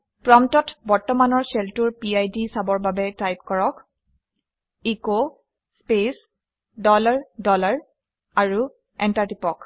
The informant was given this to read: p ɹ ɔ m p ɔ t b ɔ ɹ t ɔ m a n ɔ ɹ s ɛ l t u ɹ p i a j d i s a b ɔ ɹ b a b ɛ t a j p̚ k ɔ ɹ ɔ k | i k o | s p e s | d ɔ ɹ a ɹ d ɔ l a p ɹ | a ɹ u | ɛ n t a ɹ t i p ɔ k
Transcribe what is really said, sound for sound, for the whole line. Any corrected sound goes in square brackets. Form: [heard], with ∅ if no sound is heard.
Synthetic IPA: p ɹ ɔ m [t] ɔ t b ɔ ɹ t ɔ m a n ɔ ɹ s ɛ l t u ɹ p i a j d i s a b ɔ ɹ b a b ɛ t a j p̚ k ɔ ɹ ɔ k | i k o | s p e s | d ɔ [l] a ɹ d ɔ l a [∅] ɹ | a ɹ u | ɛ n t a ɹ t i p ɔ k